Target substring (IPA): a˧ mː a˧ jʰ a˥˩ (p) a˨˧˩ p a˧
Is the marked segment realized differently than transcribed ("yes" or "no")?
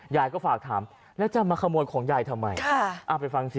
yes